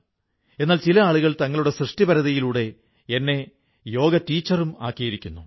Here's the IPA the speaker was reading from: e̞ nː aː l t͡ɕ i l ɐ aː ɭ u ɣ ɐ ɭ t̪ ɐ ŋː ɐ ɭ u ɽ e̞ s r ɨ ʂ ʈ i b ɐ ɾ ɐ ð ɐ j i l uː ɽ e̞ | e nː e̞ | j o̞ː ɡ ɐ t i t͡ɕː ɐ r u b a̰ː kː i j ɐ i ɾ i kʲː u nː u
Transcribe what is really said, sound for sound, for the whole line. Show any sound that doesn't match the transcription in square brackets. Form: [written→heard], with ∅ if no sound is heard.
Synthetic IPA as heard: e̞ nː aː l t͡ɕ i l ɐ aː ɭ u ɣ ɐ ɭ t̪ ɐ ŋː ɐ ɭ u ɽ e̞ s r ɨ ʂ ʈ i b ɐ ɾ ɐ ð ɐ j i l uː ɽ e̞ | e nː e̞ | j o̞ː ɡ ɐ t [i→iː] t͡ɕː ɐ r u [b→m] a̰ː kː i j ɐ i ɾ i kʲː u nː u